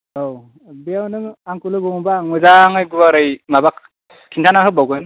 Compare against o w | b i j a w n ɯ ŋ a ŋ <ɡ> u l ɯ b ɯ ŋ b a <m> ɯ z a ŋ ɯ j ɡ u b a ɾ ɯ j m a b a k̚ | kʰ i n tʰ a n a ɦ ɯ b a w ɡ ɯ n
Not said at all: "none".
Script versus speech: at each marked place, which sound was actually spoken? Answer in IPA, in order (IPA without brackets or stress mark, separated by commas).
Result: k, ŋ